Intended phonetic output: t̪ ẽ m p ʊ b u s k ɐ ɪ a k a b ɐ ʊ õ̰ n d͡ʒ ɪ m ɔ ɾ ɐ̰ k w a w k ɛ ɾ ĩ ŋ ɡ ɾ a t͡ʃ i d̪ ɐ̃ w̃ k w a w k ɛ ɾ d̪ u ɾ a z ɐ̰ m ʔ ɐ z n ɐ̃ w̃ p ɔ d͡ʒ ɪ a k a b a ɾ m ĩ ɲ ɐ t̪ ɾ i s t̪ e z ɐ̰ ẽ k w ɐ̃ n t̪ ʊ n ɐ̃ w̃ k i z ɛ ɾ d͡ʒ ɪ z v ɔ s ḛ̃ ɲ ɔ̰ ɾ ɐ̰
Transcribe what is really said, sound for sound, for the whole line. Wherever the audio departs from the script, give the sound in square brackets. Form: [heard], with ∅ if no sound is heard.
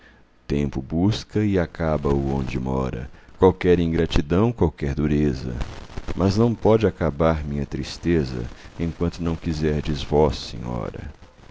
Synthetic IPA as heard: t̪ ẽ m p ʊ b u s k ɐ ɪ a k a b ɐ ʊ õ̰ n d͡ʒ ɪ m ɔ ɾ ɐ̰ k w a w k ɛ ɾ ĩ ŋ ɡ ɾ a t͡ʃ i d̪ ɐ̃ w̃ k w a w k ɛ ɾ d̪ u ɾ [e] z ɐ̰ m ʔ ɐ z n ɐ̃ w̃ p ɔ d͡ʒ ɪ a k a b a ɾ m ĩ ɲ ɐ t̪ ɾ i s t̪ e z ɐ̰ ẽ k w ɐ̃ n t̪ ʊ n ɐ̃ w̃ k i z ɛ ɾ d͡ʒ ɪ z v ɔ s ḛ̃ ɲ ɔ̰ ɾ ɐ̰